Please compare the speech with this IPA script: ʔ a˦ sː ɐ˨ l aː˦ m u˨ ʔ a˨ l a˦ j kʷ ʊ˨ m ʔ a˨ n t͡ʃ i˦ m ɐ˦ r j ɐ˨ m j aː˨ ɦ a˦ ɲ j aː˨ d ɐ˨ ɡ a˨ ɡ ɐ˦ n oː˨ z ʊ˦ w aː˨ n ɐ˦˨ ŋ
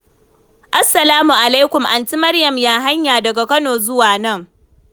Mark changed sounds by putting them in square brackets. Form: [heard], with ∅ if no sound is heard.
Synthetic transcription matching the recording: ʔ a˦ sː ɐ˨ l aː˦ m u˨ ʔ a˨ l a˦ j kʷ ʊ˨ m ʔ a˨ n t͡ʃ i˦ m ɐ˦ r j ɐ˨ m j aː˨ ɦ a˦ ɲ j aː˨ d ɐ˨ ɡ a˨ [k] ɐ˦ n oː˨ z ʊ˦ w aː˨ n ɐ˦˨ ŋ